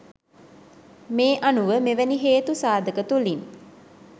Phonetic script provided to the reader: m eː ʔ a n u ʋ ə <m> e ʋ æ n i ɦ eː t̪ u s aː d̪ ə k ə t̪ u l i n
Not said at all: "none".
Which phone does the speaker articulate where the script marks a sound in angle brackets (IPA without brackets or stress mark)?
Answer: m